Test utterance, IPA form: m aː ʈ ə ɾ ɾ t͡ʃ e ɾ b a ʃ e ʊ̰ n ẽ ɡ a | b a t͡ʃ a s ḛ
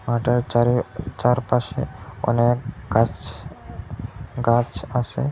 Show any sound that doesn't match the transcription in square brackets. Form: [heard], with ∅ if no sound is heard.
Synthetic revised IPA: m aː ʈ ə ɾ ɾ t͡ʃ [a] ɾ [p] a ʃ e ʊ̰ n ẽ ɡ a | [ɡ] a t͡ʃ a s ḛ

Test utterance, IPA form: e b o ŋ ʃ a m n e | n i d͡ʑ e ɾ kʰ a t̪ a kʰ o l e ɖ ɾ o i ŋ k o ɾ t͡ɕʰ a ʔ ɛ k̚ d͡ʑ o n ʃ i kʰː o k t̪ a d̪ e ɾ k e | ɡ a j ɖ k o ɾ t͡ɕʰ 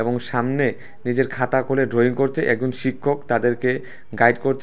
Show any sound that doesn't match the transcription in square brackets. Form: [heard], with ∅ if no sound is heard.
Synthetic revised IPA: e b o ŋ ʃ a m n e | n i d͡ʑ e ɾ kʰ a t̪ a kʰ o l e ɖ ɾ o i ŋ k o ɾ t͡ɕʰ [e] ʔ ɛ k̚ d͡ʑ o n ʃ i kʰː o k t̪ a d̪ e ɾ k e | ɡ a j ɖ k o ɾ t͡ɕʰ

